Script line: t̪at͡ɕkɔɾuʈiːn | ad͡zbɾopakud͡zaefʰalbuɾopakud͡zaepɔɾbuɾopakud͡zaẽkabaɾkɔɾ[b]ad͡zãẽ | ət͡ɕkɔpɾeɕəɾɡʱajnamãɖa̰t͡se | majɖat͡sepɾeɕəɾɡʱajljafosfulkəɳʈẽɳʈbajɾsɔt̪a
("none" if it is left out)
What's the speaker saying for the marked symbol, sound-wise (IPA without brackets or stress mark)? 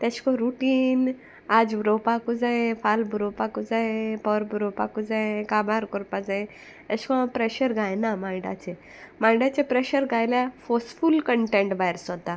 p